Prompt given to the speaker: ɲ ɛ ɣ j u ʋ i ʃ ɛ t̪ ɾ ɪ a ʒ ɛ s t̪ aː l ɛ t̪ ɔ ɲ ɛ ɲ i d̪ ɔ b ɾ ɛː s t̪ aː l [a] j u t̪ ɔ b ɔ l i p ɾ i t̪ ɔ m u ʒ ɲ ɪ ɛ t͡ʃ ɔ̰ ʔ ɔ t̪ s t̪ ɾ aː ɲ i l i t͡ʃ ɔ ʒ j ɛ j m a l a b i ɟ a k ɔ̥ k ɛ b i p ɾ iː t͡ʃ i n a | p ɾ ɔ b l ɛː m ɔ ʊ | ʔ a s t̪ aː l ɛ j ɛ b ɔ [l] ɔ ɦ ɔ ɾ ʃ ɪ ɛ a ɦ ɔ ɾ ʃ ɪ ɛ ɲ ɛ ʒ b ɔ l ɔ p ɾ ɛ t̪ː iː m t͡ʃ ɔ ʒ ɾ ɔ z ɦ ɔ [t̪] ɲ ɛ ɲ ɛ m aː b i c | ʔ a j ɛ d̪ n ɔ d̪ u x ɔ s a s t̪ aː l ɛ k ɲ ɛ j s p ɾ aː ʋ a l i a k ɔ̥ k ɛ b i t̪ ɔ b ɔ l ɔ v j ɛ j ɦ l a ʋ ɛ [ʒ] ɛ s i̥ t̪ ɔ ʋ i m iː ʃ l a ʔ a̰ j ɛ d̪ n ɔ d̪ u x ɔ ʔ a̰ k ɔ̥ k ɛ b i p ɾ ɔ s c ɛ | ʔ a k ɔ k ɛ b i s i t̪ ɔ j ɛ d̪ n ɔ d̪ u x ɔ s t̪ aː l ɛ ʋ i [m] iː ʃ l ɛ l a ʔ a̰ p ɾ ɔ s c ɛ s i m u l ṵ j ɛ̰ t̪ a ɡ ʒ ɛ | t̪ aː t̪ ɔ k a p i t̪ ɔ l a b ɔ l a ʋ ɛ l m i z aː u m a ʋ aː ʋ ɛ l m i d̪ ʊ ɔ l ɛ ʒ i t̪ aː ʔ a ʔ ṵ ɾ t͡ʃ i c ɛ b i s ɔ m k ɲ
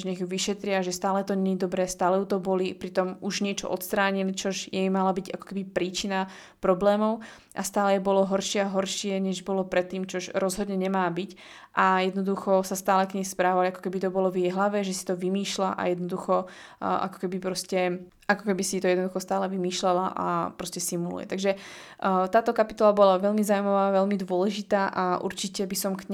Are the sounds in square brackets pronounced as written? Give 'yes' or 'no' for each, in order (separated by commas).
no, yes, no, yes, yes